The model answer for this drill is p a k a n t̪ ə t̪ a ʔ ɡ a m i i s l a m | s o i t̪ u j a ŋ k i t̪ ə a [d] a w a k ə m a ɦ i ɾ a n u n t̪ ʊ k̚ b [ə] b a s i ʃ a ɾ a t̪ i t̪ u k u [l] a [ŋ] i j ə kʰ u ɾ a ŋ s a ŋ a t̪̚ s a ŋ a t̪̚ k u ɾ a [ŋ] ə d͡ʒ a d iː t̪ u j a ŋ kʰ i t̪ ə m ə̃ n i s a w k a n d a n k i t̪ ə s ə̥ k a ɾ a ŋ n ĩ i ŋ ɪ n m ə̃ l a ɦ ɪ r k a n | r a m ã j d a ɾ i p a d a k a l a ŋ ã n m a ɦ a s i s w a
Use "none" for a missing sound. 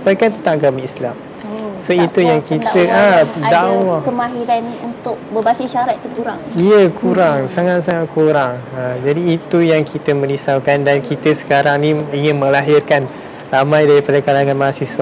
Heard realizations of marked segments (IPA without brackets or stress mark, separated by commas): d, ə, ɾ, ŋ, ŋ